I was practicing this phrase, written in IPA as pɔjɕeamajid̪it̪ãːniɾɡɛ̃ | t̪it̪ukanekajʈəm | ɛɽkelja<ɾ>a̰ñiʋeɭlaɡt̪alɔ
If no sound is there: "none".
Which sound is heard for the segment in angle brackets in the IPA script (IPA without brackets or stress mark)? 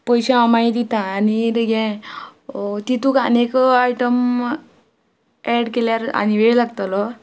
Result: ɾ